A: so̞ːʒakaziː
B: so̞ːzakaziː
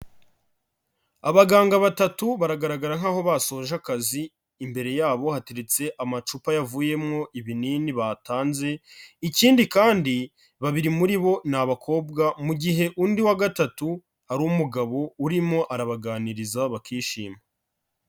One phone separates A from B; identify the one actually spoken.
A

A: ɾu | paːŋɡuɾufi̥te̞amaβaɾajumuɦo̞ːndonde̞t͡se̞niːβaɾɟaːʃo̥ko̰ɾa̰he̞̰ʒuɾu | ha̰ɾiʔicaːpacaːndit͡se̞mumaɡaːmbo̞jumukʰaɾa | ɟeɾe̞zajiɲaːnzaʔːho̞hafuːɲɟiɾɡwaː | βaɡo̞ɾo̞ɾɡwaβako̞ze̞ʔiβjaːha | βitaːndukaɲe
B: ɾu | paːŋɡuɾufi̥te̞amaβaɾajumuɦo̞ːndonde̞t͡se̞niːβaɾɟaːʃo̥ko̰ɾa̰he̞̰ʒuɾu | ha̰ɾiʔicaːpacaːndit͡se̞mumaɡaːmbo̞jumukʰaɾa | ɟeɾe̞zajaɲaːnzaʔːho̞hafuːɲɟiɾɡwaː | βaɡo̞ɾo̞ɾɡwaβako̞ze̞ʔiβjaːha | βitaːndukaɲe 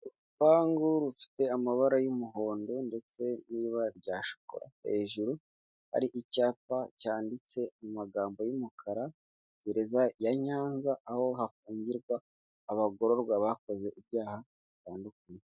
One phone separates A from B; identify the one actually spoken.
B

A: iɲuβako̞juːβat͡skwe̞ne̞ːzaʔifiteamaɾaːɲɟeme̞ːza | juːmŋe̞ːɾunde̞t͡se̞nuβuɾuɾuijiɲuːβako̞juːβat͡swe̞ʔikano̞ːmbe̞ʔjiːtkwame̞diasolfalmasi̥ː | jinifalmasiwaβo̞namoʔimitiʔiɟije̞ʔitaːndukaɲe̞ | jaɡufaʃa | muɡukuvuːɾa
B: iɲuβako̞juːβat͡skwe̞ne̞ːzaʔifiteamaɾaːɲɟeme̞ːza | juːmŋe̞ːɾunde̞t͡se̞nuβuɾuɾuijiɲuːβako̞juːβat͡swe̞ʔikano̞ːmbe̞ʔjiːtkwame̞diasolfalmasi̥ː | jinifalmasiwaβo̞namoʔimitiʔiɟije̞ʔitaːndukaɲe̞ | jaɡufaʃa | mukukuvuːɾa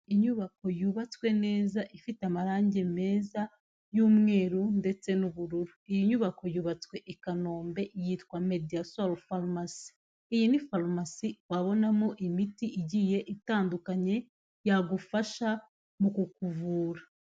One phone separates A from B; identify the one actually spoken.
B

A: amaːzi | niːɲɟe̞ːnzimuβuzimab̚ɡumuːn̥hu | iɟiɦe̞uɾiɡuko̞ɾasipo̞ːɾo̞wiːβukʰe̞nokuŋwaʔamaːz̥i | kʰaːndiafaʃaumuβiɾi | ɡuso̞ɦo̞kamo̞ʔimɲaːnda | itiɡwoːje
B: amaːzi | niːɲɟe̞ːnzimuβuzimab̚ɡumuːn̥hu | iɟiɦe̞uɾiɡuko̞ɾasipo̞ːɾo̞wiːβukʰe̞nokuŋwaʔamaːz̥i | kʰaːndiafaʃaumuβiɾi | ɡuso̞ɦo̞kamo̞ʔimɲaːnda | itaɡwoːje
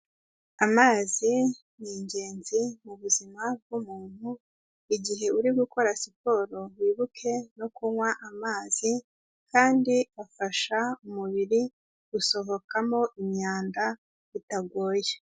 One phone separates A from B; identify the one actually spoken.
B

